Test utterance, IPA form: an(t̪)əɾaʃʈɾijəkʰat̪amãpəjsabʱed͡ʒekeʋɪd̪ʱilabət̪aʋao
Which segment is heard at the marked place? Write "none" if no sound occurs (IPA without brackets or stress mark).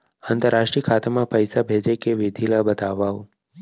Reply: t̪